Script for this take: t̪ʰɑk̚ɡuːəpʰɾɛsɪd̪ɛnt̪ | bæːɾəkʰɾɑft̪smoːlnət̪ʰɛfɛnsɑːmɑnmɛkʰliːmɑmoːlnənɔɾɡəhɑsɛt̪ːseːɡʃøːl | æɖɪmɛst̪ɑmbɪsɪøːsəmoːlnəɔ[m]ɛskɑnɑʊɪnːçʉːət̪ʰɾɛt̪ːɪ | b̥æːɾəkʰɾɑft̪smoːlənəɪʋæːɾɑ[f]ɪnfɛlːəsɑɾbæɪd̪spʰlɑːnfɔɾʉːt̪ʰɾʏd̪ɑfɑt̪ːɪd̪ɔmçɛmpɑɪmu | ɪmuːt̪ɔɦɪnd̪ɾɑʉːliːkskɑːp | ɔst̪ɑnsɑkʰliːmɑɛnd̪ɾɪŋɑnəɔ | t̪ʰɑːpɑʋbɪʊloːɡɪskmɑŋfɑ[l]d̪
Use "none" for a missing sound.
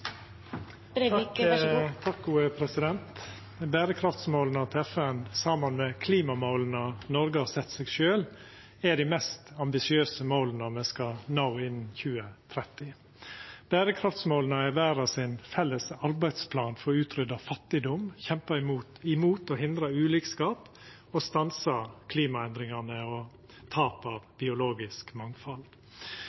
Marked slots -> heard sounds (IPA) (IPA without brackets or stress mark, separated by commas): m, s, l